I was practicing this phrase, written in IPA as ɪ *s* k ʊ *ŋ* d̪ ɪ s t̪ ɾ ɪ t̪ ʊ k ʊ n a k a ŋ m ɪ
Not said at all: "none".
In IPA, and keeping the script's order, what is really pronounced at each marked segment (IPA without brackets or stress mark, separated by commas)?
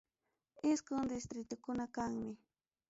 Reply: s, ŋ